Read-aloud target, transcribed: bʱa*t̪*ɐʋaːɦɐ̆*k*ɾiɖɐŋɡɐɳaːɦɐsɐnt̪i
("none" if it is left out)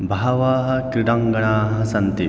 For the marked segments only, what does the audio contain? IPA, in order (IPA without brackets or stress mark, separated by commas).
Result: none, k